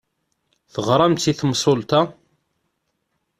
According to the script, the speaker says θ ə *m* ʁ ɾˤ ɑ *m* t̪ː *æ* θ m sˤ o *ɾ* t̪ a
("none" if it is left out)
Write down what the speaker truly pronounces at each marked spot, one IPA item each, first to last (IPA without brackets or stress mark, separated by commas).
none, m, i, l